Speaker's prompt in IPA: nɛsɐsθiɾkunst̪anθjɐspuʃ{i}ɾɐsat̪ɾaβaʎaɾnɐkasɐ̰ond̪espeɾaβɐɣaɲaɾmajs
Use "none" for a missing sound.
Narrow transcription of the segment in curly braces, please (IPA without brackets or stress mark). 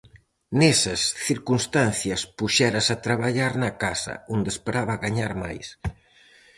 ɛ